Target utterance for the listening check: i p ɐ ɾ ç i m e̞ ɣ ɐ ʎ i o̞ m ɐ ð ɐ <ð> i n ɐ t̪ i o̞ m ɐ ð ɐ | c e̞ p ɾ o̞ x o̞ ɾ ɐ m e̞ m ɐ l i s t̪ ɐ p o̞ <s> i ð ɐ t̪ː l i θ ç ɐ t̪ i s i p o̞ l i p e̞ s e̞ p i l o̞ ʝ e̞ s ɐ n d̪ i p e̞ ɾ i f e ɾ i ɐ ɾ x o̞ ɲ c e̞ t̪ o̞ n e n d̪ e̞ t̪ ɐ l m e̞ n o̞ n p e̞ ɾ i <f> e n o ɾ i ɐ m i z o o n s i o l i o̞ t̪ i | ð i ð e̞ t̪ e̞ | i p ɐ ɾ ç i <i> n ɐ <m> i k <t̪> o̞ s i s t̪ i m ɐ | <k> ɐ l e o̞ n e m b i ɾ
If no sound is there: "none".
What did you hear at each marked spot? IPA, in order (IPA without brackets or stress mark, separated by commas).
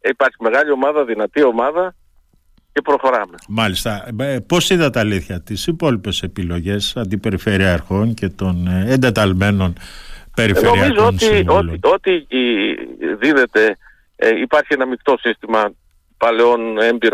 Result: ð, s, f, e, m, t̪, p